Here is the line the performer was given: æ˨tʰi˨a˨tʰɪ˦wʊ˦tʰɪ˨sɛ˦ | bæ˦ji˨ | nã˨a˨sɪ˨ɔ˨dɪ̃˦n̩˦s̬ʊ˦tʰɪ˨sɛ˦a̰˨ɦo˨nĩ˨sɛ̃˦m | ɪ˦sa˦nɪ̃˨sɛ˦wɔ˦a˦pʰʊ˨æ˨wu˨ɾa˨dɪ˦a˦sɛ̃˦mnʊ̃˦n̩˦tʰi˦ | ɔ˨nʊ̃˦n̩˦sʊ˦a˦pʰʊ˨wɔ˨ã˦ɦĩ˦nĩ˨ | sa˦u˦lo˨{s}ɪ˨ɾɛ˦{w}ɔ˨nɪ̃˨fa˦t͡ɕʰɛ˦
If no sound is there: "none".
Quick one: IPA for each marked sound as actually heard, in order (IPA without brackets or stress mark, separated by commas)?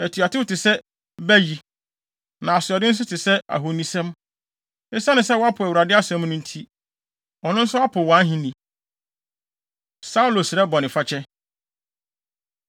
s, b